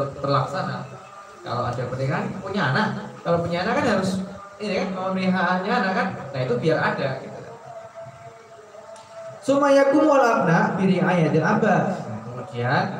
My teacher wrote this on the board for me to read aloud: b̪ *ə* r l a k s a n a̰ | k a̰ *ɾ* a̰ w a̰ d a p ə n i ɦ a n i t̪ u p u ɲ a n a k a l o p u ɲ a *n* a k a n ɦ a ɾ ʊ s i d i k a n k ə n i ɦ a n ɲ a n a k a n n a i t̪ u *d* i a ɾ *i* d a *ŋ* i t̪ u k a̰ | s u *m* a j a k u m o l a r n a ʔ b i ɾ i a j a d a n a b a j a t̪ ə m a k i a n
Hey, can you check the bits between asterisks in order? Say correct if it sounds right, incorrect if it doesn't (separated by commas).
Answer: correct, incorrect, correct, incorrect, incorrect, incorrect, correct